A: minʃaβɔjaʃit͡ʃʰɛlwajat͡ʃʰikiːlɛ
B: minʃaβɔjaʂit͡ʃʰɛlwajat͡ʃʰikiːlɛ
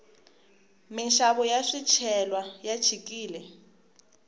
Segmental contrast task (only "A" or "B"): B